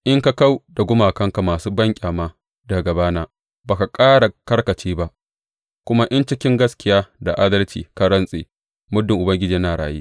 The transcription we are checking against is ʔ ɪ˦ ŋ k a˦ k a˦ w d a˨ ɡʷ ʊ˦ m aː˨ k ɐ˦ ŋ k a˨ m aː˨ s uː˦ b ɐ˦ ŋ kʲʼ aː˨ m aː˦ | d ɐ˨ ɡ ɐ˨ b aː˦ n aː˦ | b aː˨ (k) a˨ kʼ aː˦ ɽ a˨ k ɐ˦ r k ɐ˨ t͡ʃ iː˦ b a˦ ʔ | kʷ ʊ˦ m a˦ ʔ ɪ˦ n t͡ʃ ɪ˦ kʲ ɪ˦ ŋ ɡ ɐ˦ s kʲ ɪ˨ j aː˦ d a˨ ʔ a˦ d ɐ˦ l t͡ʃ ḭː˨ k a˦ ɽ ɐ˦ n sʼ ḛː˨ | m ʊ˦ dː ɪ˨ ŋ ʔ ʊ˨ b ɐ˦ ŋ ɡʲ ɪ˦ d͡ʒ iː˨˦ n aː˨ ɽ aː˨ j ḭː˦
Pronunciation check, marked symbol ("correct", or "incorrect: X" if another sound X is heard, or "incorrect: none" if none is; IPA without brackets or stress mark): correct